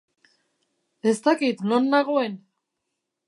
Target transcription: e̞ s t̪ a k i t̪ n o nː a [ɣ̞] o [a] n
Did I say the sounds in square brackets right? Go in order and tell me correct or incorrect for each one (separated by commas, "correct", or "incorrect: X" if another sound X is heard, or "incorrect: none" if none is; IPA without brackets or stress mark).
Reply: correct, incorrect: e